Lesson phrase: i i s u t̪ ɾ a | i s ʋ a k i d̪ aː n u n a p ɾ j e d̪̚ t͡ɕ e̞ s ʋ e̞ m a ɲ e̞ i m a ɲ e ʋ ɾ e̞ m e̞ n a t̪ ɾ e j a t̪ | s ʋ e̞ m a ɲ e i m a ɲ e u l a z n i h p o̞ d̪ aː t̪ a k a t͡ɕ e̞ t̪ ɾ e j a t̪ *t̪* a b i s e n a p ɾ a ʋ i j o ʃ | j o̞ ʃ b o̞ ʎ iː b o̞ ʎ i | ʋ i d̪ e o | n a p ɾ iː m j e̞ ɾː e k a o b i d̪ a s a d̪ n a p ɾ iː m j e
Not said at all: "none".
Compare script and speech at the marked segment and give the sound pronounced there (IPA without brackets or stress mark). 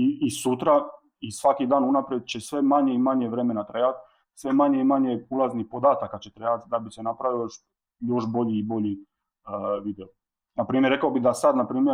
d̪